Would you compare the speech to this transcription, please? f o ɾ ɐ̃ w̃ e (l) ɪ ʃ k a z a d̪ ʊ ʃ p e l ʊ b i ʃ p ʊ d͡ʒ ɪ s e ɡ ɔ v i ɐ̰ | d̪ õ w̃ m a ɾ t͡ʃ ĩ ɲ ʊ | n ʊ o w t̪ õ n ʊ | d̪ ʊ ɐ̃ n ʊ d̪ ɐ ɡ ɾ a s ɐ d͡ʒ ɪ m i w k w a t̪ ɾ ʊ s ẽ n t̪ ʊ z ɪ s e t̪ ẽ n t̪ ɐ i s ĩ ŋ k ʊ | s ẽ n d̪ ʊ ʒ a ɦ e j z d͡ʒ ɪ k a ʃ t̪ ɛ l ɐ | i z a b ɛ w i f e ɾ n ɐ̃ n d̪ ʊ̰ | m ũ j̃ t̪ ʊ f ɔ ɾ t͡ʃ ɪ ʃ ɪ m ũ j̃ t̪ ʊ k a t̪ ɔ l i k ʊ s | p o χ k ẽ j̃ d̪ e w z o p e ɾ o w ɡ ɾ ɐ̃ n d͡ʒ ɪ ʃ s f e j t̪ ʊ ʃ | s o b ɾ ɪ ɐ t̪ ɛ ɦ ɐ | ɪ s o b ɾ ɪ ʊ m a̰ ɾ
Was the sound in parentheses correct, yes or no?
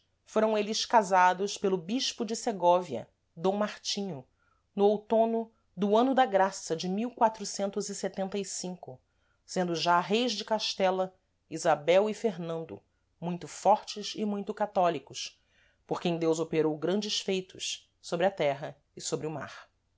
yes